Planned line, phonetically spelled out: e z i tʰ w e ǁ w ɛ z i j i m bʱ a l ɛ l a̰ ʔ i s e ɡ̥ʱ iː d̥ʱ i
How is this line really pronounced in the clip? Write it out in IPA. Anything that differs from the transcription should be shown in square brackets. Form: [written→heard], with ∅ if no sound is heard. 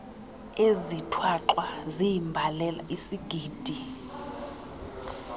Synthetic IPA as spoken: e z i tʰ w [e→a] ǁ w [ɛ→a] z i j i m bʱ a l ɛ l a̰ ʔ i s [e→i] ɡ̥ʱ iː d̥ʱ i